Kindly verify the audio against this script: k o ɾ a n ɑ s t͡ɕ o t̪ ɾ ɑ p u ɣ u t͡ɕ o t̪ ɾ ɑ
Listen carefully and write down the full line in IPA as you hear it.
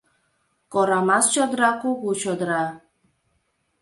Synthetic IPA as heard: k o ɾ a m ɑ s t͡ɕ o d̪ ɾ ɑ k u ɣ u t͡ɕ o d̪ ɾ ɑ